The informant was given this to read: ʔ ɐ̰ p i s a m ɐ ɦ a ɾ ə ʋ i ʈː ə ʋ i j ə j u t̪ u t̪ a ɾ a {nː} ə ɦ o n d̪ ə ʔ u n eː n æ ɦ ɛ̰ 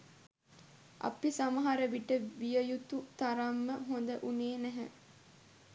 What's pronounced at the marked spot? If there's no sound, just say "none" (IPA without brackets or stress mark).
mː